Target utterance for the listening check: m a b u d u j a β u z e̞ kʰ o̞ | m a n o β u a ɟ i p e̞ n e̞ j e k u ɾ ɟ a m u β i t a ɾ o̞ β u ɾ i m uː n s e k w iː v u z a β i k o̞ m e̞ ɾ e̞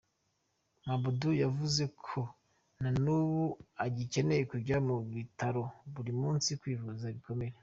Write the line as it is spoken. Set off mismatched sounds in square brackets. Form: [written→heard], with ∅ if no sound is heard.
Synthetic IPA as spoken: m a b u d u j a [β→v] u z e̞ kʰ o̞ | [m→n] a n [o→u] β u a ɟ i [p→c] e̞ n e̞ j e k u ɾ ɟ a m u β i t a ɾ o̞ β u ɾ i m uː n s [e→i] k w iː v u z a β i k o̞ m e̞ ɾ e̞